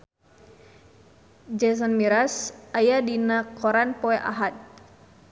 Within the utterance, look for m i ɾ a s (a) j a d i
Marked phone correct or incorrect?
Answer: correct